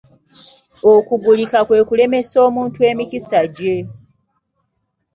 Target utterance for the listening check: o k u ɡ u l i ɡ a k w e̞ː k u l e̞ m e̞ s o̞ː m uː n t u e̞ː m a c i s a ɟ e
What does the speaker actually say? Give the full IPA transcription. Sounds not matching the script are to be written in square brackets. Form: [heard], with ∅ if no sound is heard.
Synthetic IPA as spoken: o k u ɡ u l i [k] a k w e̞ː k u l e̞ m e̞ s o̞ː m uː n t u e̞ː m [i] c i s a ɟ e